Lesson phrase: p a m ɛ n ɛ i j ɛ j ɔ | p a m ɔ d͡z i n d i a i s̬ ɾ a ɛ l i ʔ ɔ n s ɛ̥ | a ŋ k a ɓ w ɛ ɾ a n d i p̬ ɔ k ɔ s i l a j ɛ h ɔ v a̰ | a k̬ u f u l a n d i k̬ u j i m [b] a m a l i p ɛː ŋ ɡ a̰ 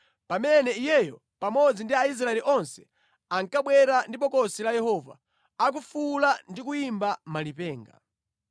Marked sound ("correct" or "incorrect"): correct